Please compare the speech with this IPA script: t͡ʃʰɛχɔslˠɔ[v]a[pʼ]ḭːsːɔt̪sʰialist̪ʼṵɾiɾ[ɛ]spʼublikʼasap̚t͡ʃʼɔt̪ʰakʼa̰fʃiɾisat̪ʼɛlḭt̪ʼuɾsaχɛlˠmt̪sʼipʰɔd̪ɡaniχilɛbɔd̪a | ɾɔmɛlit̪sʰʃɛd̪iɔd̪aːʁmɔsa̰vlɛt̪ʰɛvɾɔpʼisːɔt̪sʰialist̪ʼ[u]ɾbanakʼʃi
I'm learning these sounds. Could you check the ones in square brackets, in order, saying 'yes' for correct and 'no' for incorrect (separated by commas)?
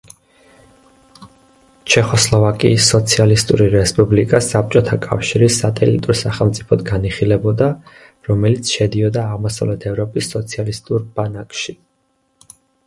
yes, no, yes, yes